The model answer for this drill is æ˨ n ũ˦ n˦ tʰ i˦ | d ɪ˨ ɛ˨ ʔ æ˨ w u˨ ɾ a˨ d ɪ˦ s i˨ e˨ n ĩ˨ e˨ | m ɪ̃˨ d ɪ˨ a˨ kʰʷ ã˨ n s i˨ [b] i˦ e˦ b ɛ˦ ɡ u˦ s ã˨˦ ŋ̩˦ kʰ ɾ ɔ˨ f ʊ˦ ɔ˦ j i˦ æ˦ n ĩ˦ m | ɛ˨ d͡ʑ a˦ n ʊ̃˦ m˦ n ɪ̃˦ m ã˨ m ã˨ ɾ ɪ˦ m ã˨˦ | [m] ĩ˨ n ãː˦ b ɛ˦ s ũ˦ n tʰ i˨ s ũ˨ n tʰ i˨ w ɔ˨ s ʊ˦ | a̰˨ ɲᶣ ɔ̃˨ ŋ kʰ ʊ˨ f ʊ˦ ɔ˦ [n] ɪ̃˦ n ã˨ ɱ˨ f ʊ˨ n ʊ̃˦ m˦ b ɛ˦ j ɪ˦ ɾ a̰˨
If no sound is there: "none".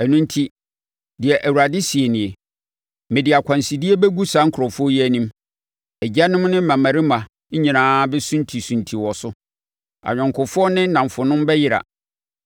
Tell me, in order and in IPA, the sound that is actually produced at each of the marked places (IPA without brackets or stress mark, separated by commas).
d, ɲ, n